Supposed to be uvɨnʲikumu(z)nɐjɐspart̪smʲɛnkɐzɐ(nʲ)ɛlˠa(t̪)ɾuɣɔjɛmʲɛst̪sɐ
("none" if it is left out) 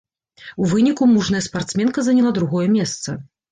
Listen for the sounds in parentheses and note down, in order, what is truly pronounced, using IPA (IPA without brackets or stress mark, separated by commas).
ʐ, nʲ, d̪